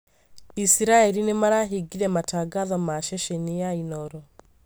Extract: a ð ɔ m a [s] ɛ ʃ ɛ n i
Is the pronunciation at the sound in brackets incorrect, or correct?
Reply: incorrect